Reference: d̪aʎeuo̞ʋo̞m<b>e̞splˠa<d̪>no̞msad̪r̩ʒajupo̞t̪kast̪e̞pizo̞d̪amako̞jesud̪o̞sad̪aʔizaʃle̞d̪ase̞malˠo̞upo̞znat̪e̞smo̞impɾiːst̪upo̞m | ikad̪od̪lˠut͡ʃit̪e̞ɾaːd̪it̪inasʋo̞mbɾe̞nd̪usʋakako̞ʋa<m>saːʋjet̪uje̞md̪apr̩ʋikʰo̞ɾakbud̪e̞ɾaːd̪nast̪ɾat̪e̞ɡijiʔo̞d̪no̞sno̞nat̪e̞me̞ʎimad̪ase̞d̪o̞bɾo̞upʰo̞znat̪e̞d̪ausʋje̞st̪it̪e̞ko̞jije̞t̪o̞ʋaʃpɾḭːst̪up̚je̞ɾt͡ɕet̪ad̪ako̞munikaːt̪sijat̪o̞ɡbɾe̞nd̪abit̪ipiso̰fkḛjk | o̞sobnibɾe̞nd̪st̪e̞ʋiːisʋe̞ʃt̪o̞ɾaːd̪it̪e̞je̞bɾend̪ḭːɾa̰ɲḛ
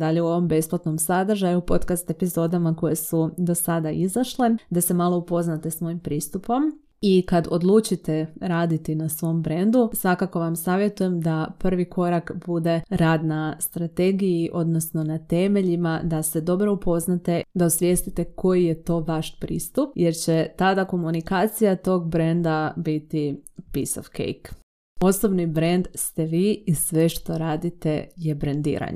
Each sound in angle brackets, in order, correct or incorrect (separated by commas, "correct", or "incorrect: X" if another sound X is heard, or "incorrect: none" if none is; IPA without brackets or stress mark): correct, incorrect: t̪, correct